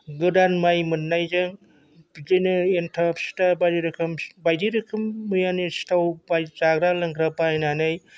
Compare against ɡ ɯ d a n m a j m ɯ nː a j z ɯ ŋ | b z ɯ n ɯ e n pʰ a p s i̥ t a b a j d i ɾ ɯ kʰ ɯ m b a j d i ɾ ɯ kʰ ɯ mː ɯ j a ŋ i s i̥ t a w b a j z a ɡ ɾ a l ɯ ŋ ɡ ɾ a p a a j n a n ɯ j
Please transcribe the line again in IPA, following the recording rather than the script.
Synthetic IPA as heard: ɡ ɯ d a n m a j m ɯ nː a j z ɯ ŋ | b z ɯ n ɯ e n tʰ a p s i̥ t a b a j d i ɾ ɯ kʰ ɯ m b a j d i ɾ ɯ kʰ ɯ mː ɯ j a n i s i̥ t a w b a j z a ɡ ɾ a l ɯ ŋ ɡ ɾ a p a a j n a n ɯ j